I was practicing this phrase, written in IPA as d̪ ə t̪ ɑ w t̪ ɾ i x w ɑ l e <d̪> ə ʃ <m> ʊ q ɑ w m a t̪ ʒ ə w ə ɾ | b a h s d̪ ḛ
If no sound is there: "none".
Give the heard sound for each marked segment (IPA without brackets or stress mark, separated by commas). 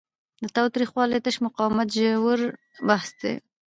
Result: t̪, m